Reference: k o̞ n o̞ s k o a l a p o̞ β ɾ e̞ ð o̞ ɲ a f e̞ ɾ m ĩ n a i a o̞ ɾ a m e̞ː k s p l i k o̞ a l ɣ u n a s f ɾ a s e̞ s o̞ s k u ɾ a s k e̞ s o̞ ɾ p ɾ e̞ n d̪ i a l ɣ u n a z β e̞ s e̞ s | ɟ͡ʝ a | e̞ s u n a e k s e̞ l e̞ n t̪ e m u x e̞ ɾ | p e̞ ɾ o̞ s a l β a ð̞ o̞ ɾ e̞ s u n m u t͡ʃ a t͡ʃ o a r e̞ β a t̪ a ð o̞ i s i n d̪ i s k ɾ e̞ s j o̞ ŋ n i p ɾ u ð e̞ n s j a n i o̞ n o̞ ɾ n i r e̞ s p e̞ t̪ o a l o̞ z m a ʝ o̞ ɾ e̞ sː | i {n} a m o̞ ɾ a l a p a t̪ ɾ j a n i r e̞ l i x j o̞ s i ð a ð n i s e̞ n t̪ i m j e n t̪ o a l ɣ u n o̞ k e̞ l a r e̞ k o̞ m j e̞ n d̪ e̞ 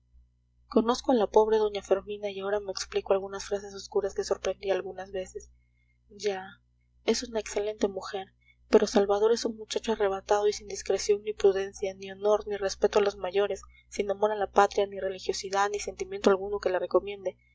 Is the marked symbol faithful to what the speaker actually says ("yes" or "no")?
yes